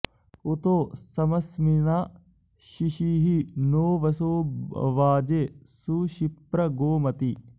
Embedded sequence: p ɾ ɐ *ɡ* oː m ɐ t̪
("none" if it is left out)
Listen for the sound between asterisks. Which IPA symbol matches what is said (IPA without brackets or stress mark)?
ɡ